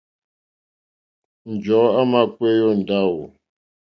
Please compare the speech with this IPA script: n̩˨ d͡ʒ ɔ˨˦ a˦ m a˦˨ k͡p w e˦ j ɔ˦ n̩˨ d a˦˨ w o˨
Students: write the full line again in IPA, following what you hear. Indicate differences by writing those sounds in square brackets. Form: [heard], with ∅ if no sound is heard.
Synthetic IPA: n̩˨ d͡ʒ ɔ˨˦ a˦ m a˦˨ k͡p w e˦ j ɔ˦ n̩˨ d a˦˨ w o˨